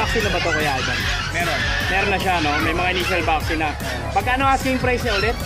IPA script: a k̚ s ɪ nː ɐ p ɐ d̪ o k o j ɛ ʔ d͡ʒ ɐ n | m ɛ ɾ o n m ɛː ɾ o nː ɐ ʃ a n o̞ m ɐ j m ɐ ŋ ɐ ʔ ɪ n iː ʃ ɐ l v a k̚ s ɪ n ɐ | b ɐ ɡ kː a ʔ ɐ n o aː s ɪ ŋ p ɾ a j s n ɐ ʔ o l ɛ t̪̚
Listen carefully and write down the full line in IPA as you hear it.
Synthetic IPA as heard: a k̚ s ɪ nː ɐ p ɐ t̪ o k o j a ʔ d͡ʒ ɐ n | m ɛ ɾ o n m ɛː ɾ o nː ɐ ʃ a n o̞ m ɐ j m ɐ ŋ a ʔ ɪ n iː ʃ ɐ l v a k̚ s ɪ n ɐ | p ɐ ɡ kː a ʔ ɐ n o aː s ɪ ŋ p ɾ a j s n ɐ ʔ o l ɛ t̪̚